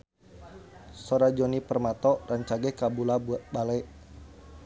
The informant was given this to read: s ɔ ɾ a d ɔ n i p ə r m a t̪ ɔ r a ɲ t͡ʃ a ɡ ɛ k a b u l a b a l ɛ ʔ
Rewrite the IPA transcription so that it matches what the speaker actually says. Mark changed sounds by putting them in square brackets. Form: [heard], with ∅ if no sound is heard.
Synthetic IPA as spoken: s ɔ ɾ a [d͡ʒ] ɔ n i p ə r m a t̪ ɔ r a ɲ t͡ʃ a ɡ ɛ k a b u l a b a l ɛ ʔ